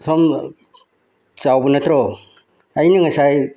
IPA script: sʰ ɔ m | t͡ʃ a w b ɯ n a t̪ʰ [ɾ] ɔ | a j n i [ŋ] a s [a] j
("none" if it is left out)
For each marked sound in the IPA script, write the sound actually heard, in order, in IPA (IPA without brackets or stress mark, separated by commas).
ɾ, ŋ, a